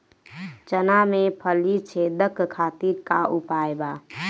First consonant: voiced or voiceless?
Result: voiceless